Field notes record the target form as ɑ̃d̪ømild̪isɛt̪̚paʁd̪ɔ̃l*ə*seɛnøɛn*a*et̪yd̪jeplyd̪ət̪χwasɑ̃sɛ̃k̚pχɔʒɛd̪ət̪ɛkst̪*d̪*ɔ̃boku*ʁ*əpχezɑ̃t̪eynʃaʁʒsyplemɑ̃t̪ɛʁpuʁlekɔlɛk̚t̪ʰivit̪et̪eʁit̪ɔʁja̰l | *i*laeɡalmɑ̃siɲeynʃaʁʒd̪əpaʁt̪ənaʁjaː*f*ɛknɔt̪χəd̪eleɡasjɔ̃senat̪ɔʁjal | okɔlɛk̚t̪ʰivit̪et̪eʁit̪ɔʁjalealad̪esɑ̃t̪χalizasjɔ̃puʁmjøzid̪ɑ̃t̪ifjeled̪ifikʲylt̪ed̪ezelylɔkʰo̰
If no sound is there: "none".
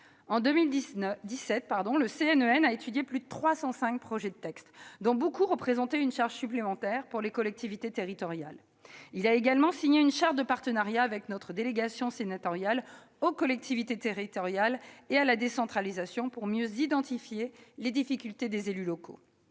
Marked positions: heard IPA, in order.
ə, a, d̪, ʁ, i, v

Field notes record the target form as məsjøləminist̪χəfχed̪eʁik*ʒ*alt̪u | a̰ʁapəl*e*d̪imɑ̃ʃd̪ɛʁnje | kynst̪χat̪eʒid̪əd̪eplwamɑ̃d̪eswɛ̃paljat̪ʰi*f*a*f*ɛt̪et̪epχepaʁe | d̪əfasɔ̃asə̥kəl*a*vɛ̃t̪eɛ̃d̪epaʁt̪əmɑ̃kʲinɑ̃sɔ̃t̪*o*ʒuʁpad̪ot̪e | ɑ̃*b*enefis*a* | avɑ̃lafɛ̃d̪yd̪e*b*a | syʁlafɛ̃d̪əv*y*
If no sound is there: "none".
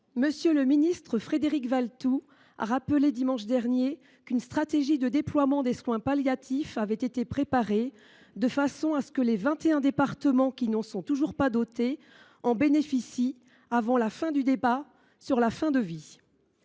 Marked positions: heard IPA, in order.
v, e, f, v, e, u, b, i, b, i

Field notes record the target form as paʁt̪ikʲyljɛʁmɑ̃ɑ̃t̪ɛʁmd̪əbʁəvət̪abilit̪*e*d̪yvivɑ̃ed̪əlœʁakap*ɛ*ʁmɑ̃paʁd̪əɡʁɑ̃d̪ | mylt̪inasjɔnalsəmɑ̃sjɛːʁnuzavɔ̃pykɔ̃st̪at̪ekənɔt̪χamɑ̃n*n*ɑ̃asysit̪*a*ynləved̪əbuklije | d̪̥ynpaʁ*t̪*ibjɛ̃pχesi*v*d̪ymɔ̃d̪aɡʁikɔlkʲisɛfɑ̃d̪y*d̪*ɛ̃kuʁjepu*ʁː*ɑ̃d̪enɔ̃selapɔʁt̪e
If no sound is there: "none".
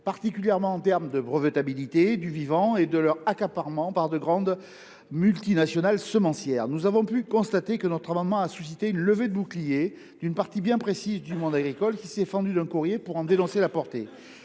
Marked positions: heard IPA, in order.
e, a, m, e, t̪, z, d̪, ʁ

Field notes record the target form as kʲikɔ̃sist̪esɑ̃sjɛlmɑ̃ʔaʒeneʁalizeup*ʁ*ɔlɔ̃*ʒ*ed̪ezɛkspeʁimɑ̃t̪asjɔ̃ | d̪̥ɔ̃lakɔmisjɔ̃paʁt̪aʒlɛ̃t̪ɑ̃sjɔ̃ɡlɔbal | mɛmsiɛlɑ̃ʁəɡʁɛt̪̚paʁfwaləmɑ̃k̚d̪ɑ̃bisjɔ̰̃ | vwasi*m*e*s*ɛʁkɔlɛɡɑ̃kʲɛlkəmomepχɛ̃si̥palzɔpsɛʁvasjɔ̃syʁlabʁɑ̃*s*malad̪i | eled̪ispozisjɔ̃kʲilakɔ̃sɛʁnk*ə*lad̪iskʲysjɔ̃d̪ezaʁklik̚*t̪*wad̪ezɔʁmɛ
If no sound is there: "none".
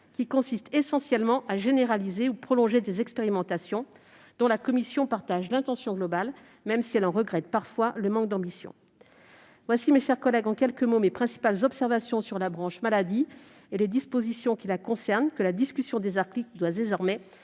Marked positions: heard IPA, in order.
χ, ʒ, m, ʃ, ʃ, ə, d̪

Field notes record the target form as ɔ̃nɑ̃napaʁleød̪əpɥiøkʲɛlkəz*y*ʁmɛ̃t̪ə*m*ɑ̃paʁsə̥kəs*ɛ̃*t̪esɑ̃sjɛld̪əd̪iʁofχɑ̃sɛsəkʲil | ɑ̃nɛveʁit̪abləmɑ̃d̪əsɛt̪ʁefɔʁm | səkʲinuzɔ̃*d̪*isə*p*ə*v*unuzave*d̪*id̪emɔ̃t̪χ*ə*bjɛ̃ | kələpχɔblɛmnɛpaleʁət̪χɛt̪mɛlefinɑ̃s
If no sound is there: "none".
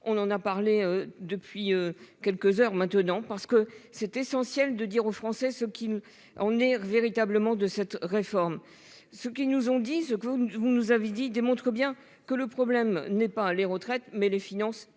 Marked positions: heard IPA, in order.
œ, n, ɛ, d̪, k, v, d̪, ə

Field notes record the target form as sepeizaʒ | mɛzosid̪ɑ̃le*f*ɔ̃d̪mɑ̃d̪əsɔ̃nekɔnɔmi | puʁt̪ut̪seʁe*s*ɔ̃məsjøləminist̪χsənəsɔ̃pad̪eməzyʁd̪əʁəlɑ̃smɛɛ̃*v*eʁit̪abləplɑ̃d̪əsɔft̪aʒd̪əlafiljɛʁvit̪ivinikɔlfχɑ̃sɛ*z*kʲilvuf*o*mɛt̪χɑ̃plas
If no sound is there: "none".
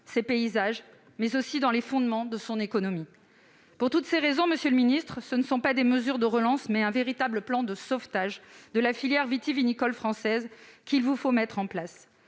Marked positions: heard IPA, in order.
f, z, v, z, o

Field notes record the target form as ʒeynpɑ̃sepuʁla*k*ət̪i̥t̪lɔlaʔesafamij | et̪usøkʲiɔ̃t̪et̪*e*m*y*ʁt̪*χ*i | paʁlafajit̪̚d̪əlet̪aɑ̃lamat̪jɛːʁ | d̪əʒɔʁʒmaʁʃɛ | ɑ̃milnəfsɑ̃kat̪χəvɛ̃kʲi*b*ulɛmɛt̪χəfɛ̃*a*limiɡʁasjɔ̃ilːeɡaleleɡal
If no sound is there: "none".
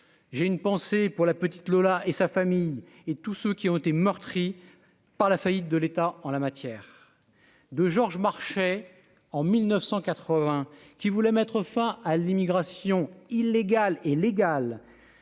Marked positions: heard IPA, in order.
p, e, œ, χ, v, a

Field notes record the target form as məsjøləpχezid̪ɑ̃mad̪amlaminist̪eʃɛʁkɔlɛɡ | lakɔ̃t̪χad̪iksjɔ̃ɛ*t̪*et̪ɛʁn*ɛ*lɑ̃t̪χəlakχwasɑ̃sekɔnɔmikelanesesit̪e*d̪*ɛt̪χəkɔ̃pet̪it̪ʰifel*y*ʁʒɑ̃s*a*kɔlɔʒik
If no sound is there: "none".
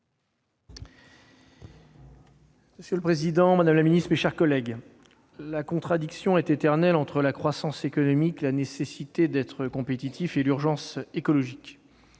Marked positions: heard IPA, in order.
t̪, ɛ, d̪, y, e

